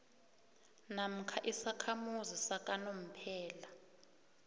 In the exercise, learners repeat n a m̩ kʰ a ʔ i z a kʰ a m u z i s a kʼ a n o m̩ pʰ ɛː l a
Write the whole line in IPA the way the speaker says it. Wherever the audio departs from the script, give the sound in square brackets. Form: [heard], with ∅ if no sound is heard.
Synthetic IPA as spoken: n a m̩ kʰ a ʔ i [s] a kʰ a m u z i s a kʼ a n o m̩ pʰ ɛː l a